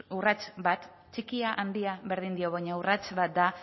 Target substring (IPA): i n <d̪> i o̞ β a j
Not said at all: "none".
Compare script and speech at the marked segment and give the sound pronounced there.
d̪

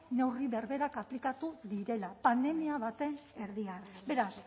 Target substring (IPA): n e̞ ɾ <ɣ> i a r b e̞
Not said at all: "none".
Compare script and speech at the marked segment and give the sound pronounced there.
ð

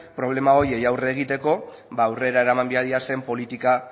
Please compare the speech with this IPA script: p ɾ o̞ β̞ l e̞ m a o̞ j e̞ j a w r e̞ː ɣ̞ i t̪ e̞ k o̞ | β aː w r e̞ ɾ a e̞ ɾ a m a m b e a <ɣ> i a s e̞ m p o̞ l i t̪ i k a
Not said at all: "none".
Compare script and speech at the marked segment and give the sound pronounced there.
ð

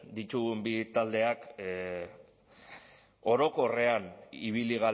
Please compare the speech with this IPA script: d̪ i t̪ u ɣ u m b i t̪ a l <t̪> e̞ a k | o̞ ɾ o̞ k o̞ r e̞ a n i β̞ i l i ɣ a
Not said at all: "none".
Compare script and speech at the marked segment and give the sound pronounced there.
d̪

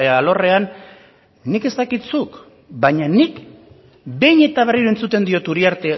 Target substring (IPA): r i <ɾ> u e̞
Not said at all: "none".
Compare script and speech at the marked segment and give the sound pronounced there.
ɾ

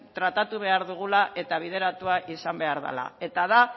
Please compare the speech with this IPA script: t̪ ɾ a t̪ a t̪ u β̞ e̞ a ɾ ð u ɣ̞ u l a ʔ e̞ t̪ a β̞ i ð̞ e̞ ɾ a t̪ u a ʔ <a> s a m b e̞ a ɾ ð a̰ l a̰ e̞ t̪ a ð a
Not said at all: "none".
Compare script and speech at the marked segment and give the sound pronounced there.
i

